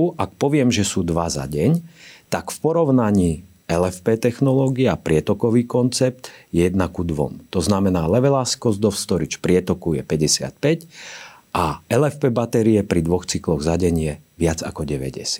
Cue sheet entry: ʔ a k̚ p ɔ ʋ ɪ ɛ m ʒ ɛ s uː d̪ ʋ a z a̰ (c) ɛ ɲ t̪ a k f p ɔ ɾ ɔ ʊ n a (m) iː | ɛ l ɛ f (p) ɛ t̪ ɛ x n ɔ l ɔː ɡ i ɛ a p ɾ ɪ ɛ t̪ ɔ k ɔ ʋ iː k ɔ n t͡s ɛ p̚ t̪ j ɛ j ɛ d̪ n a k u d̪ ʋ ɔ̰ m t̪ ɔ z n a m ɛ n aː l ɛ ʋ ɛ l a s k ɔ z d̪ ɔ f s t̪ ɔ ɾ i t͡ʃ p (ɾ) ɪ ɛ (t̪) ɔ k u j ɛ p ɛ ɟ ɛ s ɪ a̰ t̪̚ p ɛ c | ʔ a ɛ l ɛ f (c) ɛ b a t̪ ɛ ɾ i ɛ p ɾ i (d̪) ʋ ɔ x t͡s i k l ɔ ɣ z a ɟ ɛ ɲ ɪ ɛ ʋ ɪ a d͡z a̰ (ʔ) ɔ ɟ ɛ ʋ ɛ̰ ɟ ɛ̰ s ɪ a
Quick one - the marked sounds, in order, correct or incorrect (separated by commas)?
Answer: incorrect, incorrect, correct, correct, correct, incorrect, correct, incorrect